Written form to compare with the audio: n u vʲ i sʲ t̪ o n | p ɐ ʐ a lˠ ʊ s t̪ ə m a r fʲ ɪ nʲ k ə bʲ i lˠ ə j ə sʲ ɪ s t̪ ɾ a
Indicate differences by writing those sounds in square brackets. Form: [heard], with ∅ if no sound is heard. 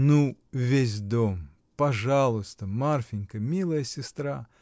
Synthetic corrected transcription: n u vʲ [e] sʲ [d̪] o [m] | p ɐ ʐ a lˠ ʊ s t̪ ə m a r fʲ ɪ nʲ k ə [mʲ] i lˠ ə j ə sʲ ɪ s t̪ ɾ a